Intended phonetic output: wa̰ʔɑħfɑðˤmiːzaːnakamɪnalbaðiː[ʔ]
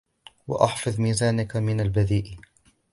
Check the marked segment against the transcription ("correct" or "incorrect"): correct